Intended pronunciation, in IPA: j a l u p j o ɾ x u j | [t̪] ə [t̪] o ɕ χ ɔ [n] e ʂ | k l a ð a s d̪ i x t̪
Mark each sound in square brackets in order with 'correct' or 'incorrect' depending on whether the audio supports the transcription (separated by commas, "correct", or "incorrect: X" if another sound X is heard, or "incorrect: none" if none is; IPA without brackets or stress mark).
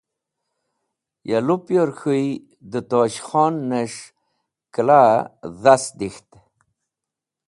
incorrect: d̪, correct, incorrect: nː